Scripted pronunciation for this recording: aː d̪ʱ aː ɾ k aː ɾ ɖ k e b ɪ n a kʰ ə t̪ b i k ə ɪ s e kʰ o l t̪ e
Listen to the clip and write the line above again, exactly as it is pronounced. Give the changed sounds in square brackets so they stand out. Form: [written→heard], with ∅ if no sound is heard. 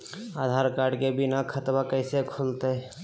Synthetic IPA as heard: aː d̪ʱ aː ɾ k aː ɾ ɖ k e b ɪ n a kʰ ə t̪ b [i→a] k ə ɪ s e kʰ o l t̪ e